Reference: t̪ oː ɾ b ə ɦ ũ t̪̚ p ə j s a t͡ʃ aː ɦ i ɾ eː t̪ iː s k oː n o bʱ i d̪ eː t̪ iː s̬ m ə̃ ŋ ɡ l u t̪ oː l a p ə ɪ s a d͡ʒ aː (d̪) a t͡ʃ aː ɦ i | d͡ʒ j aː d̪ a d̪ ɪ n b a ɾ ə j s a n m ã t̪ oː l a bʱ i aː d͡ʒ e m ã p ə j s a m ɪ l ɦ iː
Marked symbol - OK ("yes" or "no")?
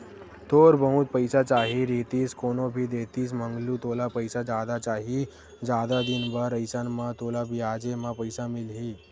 yes